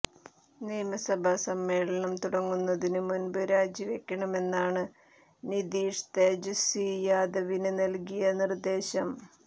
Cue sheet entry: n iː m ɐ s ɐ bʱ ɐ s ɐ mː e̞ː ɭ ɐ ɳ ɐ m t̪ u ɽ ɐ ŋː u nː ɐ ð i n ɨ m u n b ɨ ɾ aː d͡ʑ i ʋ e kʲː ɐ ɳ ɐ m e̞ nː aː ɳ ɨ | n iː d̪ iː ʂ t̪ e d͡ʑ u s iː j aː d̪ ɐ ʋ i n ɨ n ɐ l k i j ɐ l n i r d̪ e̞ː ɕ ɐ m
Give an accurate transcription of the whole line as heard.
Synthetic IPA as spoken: n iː m ɐ s ɐ bʱ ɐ s ɐ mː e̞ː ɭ ɐ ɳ ɐ m t̪ u ɽ ɐ ŋː u nː ɐ ð i n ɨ m u n b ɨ ɾ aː d͡ʑ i ʋ e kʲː ɐ ɳ ɐ m e̞ nː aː ɳ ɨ | n i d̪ iː ʂ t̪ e d͡ʑ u s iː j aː d̪ ɐ ʋ i n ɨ n ɐ l k i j ɐ n i r d̪ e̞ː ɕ ɐ m